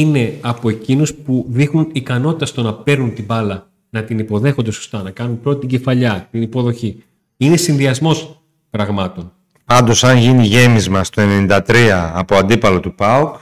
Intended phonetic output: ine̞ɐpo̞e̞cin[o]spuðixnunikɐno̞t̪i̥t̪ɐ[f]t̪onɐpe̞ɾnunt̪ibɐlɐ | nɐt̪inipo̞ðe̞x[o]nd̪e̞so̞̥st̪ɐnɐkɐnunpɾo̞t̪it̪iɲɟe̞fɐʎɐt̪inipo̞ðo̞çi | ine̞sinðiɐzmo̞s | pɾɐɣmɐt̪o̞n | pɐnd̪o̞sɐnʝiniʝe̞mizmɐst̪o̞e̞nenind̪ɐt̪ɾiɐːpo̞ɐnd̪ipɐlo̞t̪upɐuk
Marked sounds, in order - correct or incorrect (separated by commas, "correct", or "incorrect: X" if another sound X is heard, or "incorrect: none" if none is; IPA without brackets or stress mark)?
incorrect: u, incorrect: s, correct